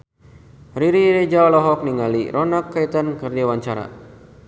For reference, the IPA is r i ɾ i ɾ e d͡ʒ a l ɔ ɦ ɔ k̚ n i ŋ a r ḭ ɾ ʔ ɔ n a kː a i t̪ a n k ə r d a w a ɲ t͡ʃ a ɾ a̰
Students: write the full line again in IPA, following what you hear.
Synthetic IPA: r i ɾ i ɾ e d͡ʒ a l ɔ ɦ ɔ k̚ n i ŋ a l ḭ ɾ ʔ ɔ n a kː a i t̪ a n k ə r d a w a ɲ t͡ʃ a ɾ a̰